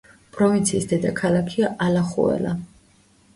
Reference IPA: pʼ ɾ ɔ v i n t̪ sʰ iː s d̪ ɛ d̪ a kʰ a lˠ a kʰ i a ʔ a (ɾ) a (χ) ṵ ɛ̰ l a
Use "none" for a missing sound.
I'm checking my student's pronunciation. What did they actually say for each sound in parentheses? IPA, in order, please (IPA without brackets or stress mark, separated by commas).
l, χ